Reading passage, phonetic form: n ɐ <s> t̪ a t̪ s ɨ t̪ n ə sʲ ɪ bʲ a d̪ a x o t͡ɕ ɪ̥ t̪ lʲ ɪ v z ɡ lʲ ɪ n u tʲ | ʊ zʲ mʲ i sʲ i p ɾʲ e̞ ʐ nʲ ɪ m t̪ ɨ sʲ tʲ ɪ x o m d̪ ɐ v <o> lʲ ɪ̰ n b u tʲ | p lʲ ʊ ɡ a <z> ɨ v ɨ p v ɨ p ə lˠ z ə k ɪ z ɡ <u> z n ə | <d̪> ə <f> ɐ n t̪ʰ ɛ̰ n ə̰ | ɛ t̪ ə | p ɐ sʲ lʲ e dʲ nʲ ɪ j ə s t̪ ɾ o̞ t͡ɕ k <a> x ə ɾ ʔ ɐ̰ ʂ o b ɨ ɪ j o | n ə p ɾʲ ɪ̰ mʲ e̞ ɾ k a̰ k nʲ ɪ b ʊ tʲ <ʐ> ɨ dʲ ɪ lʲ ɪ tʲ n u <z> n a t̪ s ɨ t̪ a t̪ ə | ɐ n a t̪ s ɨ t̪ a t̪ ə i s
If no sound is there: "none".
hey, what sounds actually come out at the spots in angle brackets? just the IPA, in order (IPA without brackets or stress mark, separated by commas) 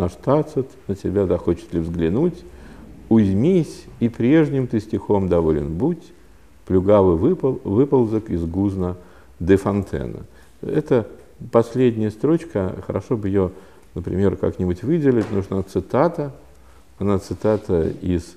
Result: ʂ, o, v, u, d̪, f, ə, v, ʐ